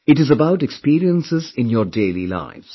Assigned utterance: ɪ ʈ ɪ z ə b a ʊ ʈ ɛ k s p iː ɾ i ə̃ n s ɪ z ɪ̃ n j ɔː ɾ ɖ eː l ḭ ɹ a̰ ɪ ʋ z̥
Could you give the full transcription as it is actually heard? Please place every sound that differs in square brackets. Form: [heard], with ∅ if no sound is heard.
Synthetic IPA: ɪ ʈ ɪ z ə b a ʊ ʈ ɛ k s p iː ɾ i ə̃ n s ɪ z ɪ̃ n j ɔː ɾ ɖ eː l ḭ [l] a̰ ɪ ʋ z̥